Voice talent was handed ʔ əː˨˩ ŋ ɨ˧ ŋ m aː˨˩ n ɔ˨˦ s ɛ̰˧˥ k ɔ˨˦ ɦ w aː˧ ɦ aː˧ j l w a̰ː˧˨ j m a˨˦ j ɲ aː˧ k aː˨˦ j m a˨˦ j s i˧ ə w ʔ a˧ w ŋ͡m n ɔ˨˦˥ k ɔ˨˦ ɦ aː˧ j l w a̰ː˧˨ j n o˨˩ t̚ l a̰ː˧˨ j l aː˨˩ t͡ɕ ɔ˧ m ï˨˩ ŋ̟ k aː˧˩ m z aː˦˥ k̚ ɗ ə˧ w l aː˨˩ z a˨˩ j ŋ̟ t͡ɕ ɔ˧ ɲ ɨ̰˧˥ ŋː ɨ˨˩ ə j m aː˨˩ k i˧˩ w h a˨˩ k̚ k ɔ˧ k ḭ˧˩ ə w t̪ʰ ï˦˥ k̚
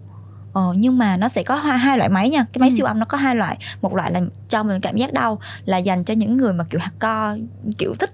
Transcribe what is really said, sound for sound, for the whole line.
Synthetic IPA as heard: ʔ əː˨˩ ɲ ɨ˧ ŋ m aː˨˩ n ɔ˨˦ s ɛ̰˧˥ k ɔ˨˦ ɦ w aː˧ ɦ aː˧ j l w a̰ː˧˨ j m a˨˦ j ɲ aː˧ k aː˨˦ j m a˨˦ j s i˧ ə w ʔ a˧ w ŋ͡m n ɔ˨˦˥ k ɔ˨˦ ɦ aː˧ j l w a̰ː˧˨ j m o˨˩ t̚ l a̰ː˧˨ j l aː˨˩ t͡ɕ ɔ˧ m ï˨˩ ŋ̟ k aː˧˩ m z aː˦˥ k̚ ɗ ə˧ w l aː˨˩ z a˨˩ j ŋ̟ t͡ɕ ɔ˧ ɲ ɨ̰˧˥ ŋː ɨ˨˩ ə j m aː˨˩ k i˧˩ w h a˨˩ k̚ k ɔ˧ k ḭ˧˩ ə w t̪ʰ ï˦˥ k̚